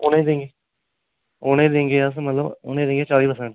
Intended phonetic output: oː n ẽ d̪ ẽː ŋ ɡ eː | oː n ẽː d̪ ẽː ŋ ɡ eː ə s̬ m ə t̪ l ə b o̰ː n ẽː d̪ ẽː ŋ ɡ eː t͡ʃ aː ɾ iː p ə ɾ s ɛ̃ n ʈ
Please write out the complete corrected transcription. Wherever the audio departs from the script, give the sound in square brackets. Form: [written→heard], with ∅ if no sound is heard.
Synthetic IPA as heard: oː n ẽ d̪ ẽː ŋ ɡ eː | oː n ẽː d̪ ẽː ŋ ɡ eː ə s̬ m ə t̪ l ə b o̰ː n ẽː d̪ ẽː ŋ ɡ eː t͡ʃ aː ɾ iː p ə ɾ s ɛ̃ [n→ɳ] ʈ